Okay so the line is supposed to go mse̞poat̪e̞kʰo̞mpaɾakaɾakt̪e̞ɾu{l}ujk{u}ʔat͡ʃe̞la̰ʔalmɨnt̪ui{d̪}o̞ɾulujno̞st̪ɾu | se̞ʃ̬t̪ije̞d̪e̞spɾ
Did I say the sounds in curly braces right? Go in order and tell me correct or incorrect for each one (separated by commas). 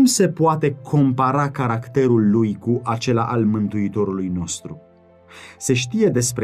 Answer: incorrect, correct, incorrect